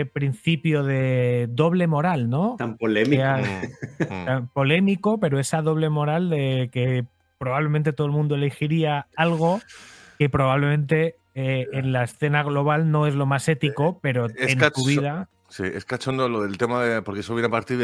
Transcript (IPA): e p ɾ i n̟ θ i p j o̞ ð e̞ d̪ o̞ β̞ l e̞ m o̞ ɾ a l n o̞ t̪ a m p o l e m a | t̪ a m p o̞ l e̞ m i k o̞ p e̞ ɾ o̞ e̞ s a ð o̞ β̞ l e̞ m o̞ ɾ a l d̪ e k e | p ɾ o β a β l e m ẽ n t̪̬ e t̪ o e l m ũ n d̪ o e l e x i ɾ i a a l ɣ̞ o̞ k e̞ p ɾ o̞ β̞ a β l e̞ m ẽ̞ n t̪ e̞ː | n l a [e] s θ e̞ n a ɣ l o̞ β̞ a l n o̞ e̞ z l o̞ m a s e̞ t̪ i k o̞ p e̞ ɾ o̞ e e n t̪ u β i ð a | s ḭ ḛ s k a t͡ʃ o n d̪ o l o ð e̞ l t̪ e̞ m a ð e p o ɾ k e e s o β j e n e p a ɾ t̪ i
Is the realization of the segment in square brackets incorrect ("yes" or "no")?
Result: no